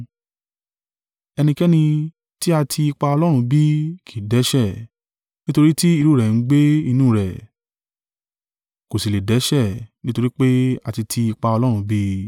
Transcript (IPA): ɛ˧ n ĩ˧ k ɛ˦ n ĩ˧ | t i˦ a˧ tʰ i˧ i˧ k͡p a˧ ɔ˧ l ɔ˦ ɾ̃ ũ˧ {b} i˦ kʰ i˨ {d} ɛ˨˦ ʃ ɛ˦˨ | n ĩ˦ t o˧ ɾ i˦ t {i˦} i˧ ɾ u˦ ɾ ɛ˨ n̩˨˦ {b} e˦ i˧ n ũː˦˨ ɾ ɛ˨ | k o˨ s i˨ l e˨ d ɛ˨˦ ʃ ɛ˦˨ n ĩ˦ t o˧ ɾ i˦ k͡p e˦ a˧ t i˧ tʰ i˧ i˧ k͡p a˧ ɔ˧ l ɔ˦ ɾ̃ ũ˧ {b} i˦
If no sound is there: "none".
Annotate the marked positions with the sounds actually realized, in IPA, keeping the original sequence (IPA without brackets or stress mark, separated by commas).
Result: b, d, i˦, ɡ͡b, b